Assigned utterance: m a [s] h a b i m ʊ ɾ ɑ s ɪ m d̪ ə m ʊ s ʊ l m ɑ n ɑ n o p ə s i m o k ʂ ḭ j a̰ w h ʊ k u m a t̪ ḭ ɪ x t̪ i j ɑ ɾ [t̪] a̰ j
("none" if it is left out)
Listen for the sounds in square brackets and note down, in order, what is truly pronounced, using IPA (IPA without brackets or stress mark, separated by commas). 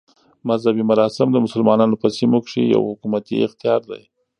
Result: z, d̪